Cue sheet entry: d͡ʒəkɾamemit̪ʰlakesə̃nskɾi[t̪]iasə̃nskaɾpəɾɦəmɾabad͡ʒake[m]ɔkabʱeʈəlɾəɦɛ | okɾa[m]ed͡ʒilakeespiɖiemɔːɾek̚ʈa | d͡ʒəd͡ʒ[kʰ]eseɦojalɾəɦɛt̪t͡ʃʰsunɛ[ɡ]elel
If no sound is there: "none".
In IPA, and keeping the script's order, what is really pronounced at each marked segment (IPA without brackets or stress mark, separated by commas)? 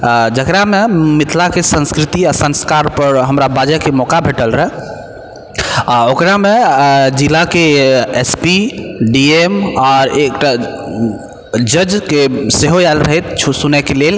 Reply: t̪, m, m, k, k